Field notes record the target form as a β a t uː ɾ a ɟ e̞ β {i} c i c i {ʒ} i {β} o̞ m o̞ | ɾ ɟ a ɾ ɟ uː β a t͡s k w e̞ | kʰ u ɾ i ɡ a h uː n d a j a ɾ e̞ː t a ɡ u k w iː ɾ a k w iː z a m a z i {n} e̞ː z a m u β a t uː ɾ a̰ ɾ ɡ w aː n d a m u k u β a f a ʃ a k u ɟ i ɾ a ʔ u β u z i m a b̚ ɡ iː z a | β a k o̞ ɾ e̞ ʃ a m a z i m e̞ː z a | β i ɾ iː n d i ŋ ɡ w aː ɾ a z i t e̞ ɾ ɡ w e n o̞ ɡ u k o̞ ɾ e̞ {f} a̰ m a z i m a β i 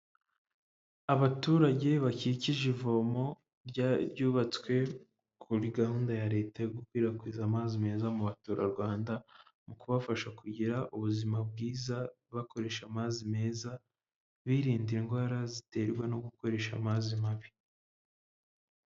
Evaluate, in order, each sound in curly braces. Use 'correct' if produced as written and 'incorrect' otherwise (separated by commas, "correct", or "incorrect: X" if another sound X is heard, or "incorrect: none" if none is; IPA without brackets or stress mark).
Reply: incorrect: a, correct, incorrect: v, incorrect: m, incorrect: ʃ